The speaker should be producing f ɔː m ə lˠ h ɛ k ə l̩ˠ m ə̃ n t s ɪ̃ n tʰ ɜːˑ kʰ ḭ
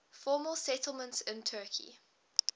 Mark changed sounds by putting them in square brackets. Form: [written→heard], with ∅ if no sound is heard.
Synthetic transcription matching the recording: f ɔː m ə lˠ [h→s] ɛ [k→t] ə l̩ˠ m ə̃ n t s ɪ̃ n tʰ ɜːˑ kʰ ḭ